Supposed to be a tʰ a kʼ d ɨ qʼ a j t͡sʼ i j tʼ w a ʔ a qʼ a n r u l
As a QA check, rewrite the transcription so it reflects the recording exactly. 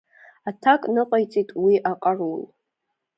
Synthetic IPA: a tʰ a kʼ n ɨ qʼ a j t͡sʼ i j tʼ w i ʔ a qʼ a r u l